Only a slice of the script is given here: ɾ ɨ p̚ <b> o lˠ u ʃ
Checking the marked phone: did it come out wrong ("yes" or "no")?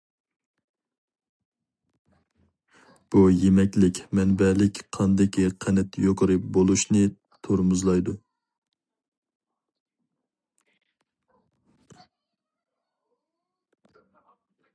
no